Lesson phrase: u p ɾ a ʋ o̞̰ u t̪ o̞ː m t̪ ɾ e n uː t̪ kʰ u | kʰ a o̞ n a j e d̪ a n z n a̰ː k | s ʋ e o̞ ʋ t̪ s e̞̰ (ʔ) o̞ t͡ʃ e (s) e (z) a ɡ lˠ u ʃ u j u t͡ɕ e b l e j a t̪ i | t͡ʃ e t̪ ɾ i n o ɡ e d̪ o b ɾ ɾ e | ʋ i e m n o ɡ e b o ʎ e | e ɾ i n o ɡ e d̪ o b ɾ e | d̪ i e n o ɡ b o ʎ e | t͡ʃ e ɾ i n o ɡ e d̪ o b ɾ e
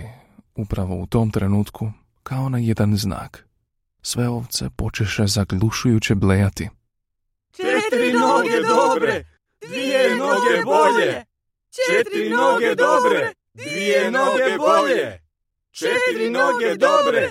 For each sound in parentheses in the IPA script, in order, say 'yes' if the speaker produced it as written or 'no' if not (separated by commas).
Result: no, no, yes